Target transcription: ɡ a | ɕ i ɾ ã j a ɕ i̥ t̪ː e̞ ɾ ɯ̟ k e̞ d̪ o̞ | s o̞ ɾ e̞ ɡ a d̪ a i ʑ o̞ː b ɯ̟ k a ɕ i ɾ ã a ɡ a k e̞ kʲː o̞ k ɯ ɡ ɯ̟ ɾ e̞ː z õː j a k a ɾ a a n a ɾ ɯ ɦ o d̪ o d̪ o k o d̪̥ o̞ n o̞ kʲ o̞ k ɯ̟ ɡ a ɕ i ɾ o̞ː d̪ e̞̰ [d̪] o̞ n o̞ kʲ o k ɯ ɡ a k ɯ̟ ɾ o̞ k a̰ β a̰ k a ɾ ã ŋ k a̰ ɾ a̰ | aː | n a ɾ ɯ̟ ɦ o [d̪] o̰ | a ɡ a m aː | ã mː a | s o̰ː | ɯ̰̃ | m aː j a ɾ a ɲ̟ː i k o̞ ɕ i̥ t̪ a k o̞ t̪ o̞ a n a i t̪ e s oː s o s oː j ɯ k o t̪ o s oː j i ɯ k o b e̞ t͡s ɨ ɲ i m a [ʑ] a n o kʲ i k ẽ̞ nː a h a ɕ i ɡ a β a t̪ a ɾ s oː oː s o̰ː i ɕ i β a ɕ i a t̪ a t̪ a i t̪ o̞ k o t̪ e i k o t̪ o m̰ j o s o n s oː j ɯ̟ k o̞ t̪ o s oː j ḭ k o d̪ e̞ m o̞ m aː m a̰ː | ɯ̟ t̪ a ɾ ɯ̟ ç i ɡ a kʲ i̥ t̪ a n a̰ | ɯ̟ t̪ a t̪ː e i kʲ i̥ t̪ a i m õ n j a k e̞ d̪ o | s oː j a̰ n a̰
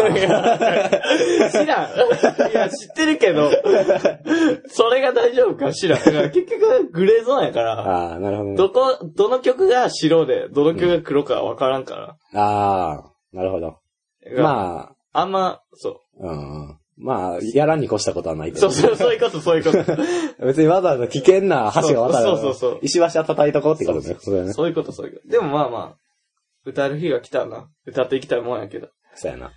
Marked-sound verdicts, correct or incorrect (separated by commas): correct, correct, incorrect